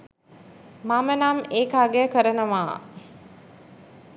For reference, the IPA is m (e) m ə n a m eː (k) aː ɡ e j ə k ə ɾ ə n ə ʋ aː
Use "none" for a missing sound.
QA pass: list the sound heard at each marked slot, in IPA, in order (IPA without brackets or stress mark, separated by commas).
a, k